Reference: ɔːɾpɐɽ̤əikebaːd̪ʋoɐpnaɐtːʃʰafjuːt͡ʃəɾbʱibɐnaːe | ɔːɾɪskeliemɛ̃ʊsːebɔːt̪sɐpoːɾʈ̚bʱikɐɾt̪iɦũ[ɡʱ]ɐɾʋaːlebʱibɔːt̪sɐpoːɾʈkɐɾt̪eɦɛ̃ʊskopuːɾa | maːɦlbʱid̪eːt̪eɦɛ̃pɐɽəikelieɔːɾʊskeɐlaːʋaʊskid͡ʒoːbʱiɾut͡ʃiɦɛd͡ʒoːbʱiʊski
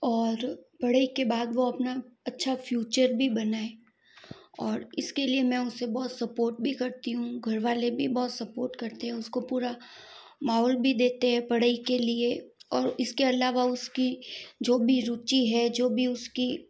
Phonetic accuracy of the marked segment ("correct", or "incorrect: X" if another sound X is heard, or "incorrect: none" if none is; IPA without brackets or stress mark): correct